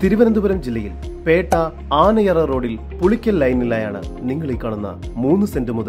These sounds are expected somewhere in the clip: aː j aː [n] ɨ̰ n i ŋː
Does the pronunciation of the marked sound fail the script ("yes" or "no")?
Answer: yes